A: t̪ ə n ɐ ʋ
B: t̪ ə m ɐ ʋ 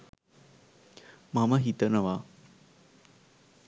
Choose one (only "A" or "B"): A